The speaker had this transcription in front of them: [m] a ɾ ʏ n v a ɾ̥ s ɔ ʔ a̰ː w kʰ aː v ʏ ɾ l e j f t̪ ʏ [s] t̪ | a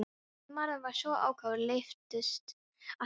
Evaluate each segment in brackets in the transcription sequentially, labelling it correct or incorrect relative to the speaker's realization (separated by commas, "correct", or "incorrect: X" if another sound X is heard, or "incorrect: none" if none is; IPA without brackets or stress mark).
correct, correct